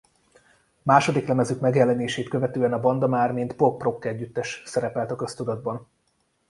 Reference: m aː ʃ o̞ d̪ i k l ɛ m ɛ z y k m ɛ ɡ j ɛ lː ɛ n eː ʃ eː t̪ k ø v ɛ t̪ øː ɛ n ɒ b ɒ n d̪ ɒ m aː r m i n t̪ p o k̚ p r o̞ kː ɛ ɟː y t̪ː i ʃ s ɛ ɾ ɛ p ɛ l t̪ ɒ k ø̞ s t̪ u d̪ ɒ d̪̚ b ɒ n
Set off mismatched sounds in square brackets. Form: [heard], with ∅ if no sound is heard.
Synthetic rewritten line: m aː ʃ o̞ d̪ i k l ɛ m ɛ z y k m ɛ ɡ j ɛ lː ɛ n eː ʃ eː t̪ k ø v ɛ t̪ øː ɛ n ɒ b ɒ n d̪ ɒ m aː r m i n t̪ p o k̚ p r o̞ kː ɛ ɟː y t̪ː [ɛ] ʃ s ɛ ɾ ɛ p ɛ l t̪ ɒ k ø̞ s t̪ u d̪ ɒ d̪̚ b ɒ n